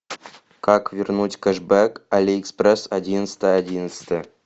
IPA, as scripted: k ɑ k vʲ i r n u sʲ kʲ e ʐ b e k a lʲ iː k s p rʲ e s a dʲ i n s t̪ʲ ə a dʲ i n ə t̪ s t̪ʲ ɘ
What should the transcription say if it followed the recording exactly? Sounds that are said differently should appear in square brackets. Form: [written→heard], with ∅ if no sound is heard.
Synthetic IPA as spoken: k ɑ k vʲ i r n u [sʲ→tʲ] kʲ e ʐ b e k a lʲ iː k s p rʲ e s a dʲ i n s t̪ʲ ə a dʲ i n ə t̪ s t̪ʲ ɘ